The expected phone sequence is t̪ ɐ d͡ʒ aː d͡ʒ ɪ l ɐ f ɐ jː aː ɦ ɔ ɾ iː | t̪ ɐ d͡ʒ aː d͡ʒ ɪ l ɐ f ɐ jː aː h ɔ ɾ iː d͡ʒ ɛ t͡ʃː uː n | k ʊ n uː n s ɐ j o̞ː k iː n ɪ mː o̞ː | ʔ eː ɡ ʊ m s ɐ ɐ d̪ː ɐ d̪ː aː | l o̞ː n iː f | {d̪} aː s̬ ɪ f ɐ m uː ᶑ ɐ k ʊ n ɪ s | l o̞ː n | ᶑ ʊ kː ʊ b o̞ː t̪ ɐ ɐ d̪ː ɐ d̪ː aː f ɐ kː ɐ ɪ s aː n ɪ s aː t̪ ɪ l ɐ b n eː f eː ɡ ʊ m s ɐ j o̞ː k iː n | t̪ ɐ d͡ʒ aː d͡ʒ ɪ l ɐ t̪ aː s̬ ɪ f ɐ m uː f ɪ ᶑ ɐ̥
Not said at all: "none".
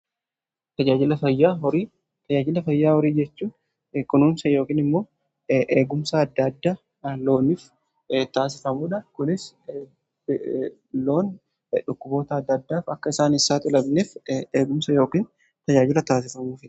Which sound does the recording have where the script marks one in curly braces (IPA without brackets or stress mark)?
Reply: t̪